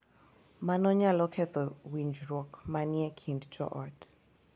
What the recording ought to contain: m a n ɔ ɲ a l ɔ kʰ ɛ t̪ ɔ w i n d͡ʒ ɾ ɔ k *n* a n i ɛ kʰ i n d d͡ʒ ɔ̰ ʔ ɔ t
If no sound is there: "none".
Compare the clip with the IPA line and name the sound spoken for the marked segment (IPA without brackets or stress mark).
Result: m